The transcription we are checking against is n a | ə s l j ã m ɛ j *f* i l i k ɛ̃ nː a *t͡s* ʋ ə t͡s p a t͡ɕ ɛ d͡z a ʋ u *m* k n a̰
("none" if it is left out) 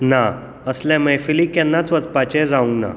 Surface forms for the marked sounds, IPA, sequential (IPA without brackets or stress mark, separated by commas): f, t͡s, ŋ